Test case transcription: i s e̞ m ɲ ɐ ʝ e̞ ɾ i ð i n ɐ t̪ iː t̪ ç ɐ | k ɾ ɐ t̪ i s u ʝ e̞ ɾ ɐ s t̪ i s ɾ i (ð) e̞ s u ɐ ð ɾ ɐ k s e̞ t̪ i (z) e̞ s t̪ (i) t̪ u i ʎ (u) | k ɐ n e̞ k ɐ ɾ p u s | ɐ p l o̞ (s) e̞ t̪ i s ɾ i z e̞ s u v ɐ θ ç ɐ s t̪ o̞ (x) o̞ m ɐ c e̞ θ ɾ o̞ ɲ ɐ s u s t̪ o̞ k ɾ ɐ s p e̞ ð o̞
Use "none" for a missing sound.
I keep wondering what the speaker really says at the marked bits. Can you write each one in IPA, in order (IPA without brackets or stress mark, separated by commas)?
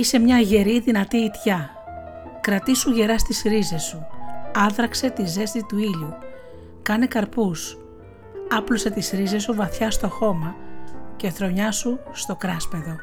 z, z, i, u, s, x